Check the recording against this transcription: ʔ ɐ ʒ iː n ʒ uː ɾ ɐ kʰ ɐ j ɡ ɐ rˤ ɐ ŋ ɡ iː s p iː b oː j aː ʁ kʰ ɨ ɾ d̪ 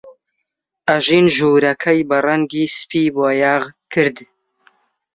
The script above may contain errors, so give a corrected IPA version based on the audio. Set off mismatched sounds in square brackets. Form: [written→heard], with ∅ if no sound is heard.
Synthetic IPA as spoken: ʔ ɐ ʒ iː n ʒ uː ɾ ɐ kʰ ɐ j [ɡ→b] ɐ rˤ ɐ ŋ ɡ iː s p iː b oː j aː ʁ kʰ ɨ ɾ d̪